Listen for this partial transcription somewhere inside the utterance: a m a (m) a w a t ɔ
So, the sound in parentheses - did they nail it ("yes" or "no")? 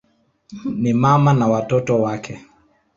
no